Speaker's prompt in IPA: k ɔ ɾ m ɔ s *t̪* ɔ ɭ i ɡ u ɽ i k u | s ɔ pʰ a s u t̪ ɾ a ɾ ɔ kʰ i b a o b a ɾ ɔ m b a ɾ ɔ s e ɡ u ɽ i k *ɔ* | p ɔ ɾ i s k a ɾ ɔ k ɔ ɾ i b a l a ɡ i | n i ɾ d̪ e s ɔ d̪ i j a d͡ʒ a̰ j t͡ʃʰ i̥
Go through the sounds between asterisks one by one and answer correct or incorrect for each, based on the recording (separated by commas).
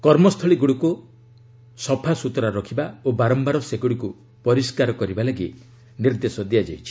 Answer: incorrect, incorrect